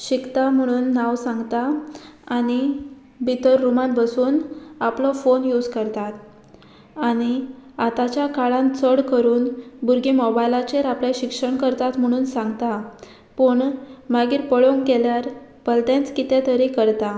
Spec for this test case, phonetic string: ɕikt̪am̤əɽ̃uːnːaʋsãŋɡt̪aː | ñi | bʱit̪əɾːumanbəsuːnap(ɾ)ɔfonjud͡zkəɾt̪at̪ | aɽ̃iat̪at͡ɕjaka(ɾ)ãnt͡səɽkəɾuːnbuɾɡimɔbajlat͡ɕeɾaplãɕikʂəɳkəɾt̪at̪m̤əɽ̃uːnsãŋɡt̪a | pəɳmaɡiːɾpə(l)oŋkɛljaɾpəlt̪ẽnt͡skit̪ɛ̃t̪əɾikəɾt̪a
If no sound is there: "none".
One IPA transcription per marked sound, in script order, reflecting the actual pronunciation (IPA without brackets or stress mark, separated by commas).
l, ɭ, ɭ